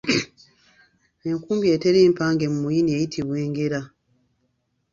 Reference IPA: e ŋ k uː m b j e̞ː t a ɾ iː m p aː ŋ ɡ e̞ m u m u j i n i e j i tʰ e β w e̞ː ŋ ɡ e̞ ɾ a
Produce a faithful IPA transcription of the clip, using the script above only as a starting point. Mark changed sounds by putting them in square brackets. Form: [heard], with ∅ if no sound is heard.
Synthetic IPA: e ŋ k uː m b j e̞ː t [e] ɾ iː m p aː ŋ ɡ e̞ m u m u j i n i e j i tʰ [i] β w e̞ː ŋ ɡ e̞ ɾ a